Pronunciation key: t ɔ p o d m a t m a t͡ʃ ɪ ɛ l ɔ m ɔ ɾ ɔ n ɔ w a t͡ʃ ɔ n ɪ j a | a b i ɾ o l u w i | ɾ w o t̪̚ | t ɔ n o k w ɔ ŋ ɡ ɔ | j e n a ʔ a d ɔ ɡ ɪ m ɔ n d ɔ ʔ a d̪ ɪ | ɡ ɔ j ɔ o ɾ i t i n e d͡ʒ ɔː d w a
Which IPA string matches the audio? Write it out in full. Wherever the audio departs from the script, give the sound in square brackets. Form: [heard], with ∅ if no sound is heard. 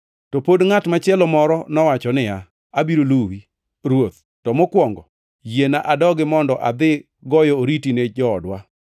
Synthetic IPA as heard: t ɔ p o d [ŋ] a t m a t͡ʃ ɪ ɛ l ɔ m ɔ ɾ ɔ n ɔ w a t͡ʃ ɔ n ɪ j a | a b i ɾ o l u w i | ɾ w o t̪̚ | t ɔ [m] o k w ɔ ŋ ɡ ɔ | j e n a ʔ a d ɔ ɡ ɪ m ɔ n d ɔ ʔ a d̪ ɪ | ɡ ɔ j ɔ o ɾ i t i n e d͡ʒ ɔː d w a